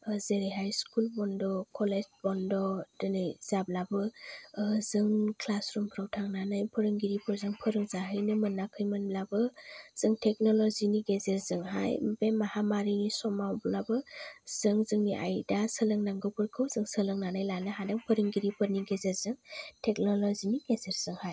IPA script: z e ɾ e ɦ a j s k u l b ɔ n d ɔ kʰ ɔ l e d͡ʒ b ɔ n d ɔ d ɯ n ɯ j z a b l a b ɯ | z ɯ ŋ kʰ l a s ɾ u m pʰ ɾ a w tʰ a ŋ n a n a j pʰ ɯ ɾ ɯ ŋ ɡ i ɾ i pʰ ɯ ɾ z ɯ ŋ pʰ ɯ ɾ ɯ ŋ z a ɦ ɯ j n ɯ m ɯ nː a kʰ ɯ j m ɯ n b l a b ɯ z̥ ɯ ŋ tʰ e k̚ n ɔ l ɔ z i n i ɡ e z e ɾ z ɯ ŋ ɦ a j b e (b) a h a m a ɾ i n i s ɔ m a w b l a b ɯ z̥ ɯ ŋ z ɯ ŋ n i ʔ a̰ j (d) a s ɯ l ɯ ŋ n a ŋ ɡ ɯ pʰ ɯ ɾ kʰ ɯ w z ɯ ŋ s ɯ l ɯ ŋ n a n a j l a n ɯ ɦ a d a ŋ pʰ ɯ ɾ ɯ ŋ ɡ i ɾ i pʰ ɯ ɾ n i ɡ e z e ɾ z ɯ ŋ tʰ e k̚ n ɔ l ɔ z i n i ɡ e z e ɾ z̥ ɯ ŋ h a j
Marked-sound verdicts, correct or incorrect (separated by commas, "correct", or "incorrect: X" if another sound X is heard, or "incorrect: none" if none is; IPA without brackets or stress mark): incorrect: m, correct